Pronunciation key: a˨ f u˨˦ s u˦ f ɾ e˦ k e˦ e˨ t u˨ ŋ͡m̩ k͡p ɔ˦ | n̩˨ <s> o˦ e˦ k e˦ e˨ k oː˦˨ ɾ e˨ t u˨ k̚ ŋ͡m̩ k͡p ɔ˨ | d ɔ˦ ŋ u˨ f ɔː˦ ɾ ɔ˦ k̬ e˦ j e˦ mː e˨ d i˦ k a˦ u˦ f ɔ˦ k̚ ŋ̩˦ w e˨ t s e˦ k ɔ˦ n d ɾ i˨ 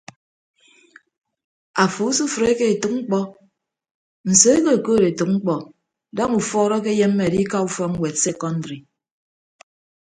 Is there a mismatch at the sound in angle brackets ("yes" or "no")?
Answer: no